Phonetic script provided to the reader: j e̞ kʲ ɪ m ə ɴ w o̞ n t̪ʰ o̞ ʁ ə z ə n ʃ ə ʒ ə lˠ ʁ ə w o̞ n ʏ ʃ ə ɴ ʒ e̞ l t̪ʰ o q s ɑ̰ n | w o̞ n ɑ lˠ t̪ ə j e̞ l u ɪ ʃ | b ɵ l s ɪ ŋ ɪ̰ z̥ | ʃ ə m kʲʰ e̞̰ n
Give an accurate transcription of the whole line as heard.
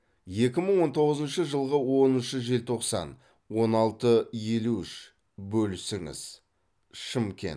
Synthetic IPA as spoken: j e̞ kʲ ɪ m ə ɴ w o̞ n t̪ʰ o̞ ʁ ə z ə n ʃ ə ʒ ə lˠ ʁ ə w o̞ n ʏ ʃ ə ʒ e̞ l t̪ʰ o q s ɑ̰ n | w o̞ n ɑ lˠ t̪ ə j e̞ l u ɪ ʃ | b ɵ l s ɪ ŋ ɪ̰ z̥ | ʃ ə m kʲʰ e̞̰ n